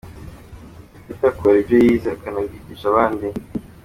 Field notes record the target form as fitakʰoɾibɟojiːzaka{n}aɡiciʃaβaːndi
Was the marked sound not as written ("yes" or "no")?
no